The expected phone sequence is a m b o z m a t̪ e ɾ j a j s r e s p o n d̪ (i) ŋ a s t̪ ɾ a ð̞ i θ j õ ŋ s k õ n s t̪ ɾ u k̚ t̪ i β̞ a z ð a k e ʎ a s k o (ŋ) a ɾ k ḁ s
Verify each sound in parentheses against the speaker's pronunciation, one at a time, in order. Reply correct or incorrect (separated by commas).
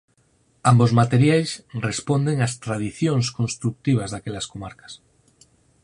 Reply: incorrect, incorrect